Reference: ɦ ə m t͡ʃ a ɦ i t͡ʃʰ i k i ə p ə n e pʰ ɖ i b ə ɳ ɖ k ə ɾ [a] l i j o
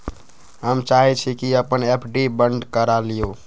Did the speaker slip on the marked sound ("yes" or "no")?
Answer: no